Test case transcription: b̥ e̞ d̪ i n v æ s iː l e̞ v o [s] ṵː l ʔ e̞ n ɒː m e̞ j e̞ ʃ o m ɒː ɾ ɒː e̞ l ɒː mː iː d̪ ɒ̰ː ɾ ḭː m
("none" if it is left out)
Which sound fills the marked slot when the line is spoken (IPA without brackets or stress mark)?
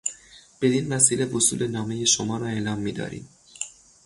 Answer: s